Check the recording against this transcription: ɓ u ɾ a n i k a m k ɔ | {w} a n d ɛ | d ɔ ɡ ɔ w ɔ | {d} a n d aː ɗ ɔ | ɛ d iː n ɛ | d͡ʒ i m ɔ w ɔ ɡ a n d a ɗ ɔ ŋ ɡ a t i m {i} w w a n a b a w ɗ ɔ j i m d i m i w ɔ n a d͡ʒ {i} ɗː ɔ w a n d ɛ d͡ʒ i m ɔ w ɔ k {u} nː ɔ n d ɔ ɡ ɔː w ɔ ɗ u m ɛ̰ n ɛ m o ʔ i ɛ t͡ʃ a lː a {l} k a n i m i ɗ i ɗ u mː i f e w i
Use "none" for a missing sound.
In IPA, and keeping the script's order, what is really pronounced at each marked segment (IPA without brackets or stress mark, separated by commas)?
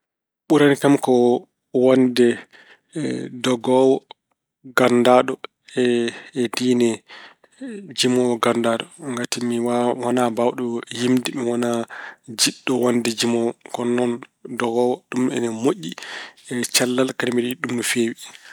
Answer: w, ɡ, i, i, ɔ, l